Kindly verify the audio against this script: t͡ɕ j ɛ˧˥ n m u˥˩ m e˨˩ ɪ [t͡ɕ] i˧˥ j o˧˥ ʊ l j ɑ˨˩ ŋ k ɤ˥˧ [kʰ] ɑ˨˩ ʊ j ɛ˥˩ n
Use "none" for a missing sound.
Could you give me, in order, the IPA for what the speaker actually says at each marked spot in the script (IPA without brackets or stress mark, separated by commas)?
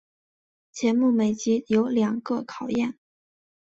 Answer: t͡ɕ, kʰ